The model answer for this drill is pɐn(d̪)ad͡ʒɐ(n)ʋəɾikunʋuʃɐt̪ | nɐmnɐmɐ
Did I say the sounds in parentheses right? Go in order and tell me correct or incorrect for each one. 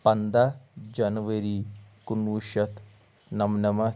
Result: correct, correct

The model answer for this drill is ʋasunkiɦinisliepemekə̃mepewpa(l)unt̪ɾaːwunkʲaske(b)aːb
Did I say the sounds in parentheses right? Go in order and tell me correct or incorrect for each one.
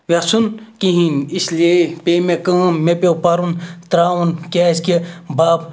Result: incorrect: ɾ, correct

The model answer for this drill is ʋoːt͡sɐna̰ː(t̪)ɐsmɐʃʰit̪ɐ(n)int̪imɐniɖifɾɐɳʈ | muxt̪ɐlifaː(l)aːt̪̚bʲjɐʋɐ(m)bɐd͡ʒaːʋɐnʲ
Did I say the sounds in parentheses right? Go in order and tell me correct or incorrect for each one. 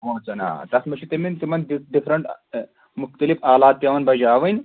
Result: correct, incorrect: m, correct, incorrect: n

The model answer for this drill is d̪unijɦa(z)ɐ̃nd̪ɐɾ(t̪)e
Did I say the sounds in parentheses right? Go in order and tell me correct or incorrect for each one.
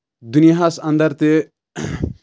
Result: incorrect: s, correct

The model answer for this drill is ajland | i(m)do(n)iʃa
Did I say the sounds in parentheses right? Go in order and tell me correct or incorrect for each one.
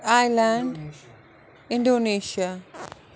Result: incorrect: n, correct

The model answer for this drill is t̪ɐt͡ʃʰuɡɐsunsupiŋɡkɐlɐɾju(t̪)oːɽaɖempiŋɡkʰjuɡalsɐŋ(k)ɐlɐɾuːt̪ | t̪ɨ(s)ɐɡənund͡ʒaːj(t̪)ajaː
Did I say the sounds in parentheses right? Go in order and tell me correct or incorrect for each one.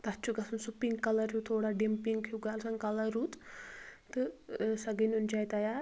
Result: incorrect: t̪ʰ, correct, correct, correct

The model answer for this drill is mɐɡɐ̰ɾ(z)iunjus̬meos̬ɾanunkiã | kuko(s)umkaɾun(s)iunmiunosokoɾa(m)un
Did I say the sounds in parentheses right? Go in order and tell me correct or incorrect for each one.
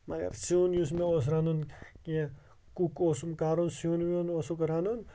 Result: incorrect: s, correct, correct, incorrect: n

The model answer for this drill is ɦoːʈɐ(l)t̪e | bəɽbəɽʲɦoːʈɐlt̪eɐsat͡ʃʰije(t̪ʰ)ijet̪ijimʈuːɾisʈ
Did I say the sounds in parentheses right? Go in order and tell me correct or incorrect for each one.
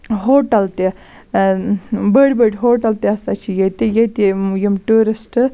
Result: correct, incorrect: t̪

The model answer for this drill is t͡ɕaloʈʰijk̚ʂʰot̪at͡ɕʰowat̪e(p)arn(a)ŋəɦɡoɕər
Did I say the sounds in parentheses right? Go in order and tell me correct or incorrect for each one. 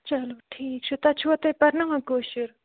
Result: correct, correct

